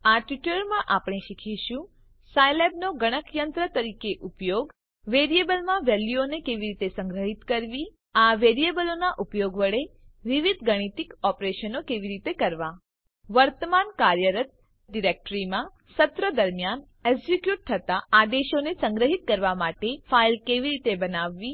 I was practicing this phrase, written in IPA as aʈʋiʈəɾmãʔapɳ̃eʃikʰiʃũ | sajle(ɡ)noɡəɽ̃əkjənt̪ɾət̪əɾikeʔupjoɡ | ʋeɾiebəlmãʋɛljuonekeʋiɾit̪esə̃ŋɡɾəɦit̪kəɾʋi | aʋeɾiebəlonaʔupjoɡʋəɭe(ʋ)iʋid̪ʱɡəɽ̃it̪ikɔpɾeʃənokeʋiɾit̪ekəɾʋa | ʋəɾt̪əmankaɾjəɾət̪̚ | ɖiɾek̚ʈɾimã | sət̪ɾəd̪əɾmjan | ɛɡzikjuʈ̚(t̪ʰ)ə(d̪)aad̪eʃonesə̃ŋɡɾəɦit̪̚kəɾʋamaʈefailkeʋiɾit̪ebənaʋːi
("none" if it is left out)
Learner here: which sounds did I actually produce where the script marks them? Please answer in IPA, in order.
b, ʋ, t̪ʰ, t̪

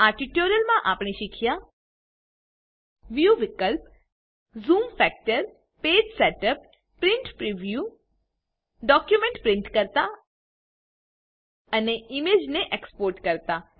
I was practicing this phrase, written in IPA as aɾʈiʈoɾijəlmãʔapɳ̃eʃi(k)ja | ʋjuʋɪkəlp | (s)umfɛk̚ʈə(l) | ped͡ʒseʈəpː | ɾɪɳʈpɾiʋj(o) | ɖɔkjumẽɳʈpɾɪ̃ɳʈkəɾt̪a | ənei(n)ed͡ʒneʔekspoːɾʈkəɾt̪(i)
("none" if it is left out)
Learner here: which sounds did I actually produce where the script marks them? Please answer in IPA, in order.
kʰ, z, ɾ, u, m, a

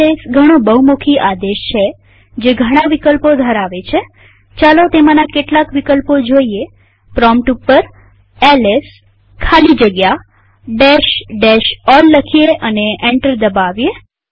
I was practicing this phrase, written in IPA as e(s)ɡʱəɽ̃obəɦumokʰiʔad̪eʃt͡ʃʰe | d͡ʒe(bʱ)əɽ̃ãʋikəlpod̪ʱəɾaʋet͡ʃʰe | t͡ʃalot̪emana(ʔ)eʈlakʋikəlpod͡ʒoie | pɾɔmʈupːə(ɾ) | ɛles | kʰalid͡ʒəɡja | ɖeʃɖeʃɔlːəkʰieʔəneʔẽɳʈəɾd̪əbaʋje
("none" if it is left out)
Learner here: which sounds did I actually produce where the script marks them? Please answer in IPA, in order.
s, ɡʱ, k, ɾ

